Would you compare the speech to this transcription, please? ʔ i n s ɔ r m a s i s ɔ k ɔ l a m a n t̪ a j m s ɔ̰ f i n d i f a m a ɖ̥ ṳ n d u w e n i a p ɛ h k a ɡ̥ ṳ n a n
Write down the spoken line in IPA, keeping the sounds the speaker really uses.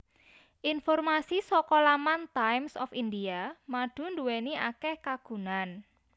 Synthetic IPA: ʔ i n f ɔ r m a s i s ɔ k ɔ l a m a n t̪ a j m s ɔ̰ f i n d i a m a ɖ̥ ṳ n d u w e n i a k ɛ h k a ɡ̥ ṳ n a n